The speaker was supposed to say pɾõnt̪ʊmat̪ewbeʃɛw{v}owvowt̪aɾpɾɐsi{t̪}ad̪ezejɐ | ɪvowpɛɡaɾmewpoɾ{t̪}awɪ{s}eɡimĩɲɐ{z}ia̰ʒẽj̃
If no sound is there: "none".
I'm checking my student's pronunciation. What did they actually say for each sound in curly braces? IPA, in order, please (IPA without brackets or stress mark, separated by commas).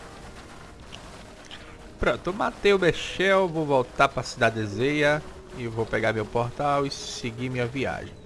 v, d̪, t̪, s, v